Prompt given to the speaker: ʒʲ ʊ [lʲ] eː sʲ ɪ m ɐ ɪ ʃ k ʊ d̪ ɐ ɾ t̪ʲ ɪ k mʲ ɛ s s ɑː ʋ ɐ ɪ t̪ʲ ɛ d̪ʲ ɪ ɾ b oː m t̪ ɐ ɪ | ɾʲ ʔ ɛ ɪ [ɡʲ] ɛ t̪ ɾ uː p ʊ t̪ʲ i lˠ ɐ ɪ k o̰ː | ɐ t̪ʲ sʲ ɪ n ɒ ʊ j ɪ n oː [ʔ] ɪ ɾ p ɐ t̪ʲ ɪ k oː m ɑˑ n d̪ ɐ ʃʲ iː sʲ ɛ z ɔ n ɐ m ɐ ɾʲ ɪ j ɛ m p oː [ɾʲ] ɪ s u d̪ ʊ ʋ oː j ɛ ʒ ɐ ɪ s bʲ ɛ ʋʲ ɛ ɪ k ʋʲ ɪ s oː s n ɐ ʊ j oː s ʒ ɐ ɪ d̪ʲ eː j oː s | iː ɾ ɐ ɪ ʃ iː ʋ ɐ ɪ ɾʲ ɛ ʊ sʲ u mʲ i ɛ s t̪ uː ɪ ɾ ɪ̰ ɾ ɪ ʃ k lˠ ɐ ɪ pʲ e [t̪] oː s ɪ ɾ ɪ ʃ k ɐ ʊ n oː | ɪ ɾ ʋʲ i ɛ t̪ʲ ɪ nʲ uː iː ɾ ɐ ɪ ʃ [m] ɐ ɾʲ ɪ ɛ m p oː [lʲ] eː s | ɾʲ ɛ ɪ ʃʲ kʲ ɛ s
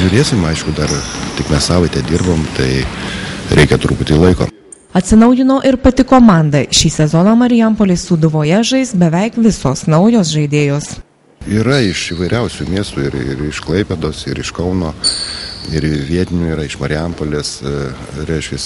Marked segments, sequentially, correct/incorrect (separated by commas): incorrect, incorrect, correct, incorrect, incorrect, correct, correct